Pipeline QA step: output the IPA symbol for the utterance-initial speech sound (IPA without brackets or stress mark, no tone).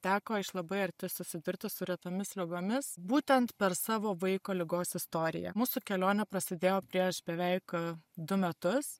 t̪ʲ